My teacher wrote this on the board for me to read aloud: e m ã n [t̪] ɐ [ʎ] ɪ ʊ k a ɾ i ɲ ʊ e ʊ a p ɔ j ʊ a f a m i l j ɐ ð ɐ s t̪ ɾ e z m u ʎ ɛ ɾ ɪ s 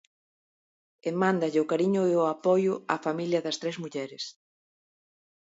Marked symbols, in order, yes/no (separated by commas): no, yes